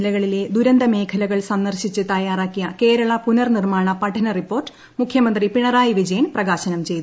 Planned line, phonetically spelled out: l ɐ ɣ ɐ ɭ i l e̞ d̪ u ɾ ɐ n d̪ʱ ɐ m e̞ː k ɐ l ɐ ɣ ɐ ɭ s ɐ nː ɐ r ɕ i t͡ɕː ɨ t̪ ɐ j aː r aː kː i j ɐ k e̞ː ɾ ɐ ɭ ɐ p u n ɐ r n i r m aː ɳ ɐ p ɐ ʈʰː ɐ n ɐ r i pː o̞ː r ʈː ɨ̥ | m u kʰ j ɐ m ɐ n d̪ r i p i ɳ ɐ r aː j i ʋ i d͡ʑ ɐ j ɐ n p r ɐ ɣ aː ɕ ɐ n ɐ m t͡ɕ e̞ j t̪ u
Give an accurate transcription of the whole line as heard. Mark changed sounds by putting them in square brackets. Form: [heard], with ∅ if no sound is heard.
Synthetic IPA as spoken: l ɐ ɣ ɐ ɭ i l e̞ d̪ u ɾ ɐ n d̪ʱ ɐ m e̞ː [kʰ] ɐ l ɐ ɣ ɐ ɭ s ɐ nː ɐ r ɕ i t͡ɕː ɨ t̪ ɐ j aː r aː kː i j ɐ k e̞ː ɾ ɐ ɭ ɐ p u n ɐ r n i r m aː ɳ ɐ p ɐ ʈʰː ɐ n ɐ r i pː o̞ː r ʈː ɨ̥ | m u kʰ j ɐ m ɐ n d̪ r i p i ɳ ɐ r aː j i ʋ i d͡ʑ ɐ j ɐ n p r ɐ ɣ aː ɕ ɐ n ɐ m t͡ɕ e̞ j t̪ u

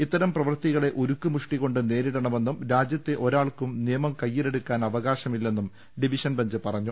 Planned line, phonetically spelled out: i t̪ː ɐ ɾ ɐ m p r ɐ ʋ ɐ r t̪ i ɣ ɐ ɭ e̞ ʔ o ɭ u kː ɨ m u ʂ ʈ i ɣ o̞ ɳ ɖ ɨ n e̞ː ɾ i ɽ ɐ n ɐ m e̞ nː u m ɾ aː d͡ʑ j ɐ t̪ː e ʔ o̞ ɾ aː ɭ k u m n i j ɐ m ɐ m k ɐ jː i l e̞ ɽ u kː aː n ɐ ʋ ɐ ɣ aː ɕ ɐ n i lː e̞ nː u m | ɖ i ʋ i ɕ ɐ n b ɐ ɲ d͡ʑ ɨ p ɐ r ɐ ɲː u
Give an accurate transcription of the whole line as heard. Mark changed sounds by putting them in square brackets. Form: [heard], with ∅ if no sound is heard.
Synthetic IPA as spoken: i t̪ː ɐ ɾ ɐ m p r ɐ ʋ ɐ r t̪ i ɣ ɐ ɭ e̞ ʔ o [ɾ] u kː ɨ m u ʂ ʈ i ɣ o̞ ɳ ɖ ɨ n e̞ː ɾ i ɽ ɐ [ɳ] ɐ m e̞ nː u m ɾ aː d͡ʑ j ɐ t̪ː e ʔ o̞ ɾ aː ɭ k u m n i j ɐ m ɐ m k ɐ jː i l e̞ ɽ u kː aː n ɐ ʋ ɐ ɣ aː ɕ ɐ [m] i lː e̞ nː u m | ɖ i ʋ i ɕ ɐ n b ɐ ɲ d͡ʑ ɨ p ɐ r ɐ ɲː u

